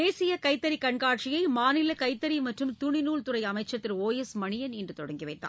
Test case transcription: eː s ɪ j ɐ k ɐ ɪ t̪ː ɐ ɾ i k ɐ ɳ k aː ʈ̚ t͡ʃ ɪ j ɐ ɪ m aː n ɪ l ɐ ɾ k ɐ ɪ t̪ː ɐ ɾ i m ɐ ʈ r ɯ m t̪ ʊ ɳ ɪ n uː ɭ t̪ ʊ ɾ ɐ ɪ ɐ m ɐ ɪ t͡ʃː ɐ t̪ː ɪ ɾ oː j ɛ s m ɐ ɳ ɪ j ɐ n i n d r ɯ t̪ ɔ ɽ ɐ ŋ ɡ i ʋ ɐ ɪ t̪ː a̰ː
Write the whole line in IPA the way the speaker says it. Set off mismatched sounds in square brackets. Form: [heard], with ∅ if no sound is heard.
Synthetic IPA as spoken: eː s ɪ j ɐ k ɐ ɪ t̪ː ɐ ɾ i k ɐ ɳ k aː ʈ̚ t͡ʃ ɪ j ɐ ɪ m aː n ɪ l ɐ [∅] k ɐ ɪ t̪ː ɐ ɾ i m ɐ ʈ r ɯ m t̪ ʊ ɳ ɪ n uː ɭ t̪ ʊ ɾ ɐ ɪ ɐ m ɐ ɪ t͡ʃː ɐ t̪ː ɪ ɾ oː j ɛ s m ɐ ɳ ɪ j ɐ n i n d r ɯ t̪ ɔ ɽ ɐ ŋ ɡ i ʋ ɐ ɪ t̪ː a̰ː